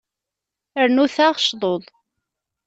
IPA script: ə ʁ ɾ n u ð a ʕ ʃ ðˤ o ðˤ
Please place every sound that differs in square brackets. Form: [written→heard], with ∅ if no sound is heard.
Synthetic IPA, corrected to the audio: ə [ʁ→∅] ɾ n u [ð→θ] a [ʕ→ʁ] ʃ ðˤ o ðˤ